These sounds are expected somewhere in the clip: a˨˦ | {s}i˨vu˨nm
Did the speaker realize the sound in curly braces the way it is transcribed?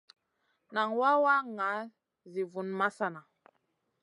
no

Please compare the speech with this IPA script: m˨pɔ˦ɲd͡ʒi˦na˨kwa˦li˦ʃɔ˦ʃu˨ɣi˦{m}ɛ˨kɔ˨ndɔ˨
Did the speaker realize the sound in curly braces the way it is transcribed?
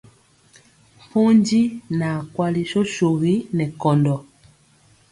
no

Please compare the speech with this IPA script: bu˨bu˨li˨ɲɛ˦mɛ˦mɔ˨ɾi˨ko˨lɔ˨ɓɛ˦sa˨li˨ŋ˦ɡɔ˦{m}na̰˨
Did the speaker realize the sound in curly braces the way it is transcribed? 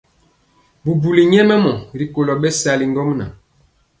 yes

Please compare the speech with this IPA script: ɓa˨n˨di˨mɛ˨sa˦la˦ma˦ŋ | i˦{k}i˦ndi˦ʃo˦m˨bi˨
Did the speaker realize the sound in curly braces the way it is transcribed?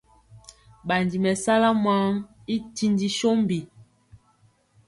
no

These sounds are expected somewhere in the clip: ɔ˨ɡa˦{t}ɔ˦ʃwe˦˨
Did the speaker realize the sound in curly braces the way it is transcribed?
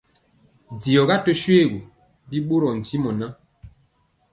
yes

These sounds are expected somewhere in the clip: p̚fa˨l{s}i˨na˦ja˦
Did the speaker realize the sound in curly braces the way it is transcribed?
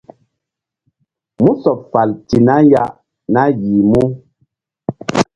no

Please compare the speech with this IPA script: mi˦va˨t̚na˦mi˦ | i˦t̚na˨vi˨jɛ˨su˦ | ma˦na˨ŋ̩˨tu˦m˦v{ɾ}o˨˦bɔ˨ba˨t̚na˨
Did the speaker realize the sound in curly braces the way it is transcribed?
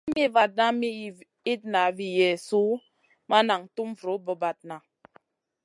yes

